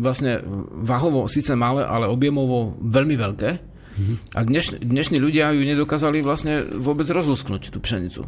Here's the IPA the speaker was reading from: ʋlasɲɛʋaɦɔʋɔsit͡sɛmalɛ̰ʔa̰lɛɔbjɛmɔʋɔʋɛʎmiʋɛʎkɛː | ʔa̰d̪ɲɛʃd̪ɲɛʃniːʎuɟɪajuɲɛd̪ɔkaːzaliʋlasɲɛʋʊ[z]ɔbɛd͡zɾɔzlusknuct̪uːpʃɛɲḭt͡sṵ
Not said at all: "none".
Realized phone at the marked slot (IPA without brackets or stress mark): none